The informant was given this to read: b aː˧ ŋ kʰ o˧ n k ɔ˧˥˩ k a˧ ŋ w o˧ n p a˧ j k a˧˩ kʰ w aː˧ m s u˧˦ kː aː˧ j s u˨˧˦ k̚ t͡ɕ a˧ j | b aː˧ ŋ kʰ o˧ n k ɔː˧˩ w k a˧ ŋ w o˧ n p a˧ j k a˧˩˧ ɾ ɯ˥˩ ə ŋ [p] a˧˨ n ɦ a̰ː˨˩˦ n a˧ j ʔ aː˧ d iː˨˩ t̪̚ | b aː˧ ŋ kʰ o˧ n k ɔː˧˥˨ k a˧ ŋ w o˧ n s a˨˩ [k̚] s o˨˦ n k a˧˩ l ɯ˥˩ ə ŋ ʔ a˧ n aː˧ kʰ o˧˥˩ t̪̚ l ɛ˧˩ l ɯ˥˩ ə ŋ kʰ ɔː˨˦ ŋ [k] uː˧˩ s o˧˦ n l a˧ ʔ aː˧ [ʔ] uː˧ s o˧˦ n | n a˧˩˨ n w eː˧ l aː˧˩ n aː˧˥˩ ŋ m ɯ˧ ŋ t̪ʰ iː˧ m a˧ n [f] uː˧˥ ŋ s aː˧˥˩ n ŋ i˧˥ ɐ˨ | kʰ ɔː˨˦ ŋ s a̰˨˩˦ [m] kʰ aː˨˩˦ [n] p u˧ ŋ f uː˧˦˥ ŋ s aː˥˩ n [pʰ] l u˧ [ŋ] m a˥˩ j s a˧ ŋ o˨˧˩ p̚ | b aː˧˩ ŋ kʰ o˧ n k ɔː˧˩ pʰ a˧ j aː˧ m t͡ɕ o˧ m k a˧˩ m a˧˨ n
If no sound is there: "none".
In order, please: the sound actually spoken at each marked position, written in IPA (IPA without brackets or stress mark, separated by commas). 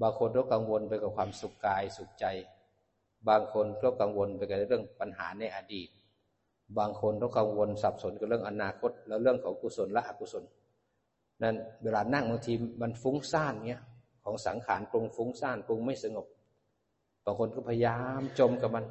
p, p̚, k, k, f, ŋ, n, p, ŋ